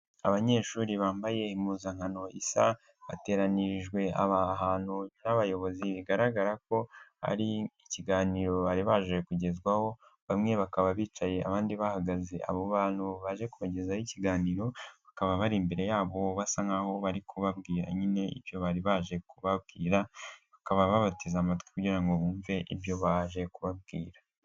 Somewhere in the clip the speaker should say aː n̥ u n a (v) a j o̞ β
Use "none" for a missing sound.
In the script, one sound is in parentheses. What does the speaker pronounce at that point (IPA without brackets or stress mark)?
β